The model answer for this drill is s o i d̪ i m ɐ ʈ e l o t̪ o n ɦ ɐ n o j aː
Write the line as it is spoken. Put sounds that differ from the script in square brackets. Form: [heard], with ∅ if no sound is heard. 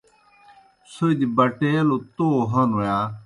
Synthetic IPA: s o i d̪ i [b] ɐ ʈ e l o t̪ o [∅] ɦ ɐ n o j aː